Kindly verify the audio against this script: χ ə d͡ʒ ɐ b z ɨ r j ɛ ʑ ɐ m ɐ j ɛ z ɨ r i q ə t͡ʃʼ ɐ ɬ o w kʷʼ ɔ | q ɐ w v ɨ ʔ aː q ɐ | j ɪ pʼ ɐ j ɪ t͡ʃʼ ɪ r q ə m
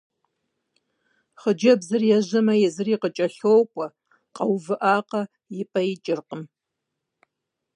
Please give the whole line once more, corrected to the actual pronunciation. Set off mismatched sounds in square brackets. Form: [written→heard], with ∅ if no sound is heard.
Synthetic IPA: χ ə d͡ʒ ɐ b z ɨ r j ɛ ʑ ɐ m ɐ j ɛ z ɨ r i q ə t͡ʃʼ ɐ ɬ o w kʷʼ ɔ | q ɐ w v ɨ ʔ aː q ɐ | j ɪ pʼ ɐ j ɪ t͡ʃʼ ɪ r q ə m